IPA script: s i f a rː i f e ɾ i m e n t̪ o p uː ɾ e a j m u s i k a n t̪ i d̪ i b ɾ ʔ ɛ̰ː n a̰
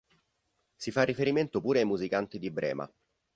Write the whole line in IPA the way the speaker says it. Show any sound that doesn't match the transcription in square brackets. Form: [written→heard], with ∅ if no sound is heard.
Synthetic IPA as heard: s i f a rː i f e ɾ i m e n t̪ o p uː ɾ e a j m u [s→z] i k a n t̪ i d̪ i b ɾ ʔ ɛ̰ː [n→m] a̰